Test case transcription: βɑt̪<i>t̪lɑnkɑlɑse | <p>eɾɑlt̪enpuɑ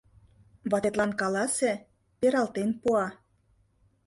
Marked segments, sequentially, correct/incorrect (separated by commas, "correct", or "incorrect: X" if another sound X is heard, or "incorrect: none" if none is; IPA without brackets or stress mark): incorrect: e, correct